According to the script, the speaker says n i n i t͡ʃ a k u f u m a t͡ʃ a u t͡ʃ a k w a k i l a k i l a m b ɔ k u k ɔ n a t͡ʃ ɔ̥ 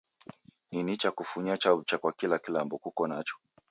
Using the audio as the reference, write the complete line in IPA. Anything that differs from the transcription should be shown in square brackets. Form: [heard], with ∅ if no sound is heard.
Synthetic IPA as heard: n i n i t͡ʃ a k u f u [ɲ] a t͡ʃ a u t͡ʃ a k w a k i l a k i l a m b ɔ k u k ɔ n a t͡ʃ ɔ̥